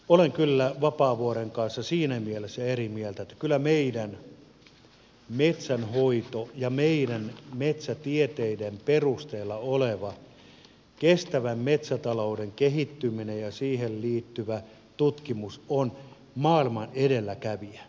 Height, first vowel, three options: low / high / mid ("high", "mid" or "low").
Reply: mid